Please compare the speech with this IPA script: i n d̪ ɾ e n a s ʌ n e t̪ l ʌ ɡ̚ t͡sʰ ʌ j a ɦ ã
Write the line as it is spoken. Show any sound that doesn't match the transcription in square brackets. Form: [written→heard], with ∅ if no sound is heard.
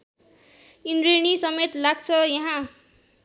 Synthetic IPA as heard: i n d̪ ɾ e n [a→i] s ʌ [n→m] e t̪ l [ʌ→a] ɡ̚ t͡sʰ ʌ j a ɦ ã